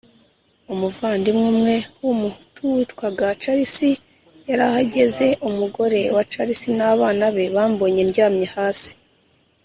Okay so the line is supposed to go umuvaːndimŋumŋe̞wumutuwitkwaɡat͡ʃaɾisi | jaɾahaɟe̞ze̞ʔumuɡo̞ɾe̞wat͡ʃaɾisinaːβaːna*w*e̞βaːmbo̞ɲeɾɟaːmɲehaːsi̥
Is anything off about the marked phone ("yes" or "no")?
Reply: yes